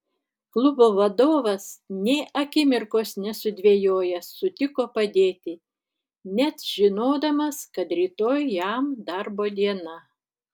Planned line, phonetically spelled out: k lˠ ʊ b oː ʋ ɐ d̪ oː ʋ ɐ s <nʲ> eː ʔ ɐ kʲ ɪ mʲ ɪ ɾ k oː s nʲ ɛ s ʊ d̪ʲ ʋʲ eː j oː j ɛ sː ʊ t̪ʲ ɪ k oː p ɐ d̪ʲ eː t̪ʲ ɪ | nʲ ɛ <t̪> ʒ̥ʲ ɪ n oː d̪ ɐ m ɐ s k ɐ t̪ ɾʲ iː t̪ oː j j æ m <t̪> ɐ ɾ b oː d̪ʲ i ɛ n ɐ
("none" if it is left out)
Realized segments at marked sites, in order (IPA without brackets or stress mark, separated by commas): nʲ, t̪, d̪